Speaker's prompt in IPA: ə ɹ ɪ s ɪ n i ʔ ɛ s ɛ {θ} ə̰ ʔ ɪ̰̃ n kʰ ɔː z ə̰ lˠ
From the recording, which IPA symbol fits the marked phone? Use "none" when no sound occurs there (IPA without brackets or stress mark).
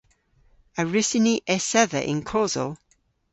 ð